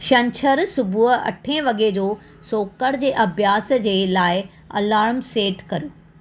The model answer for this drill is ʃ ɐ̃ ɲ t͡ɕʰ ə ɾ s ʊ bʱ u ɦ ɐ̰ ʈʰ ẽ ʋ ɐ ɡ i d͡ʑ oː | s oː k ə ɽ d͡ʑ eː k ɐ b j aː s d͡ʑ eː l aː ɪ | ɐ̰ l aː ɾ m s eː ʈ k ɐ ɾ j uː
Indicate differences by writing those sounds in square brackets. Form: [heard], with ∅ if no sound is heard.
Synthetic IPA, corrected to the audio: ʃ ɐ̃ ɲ t͡ɕʰ ə ɾ s ʊ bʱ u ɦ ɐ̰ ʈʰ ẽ ʋ ɐ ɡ [e] d͡ʑ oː | s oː k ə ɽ d͡ʑ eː [ʔ] ɐ b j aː s d͡ʑ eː l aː ɪ | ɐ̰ l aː ɾ m s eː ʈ k ɐ ɾ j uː